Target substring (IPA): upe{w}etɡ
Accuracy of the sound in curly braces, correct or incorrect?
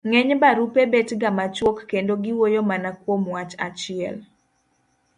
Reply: incorrect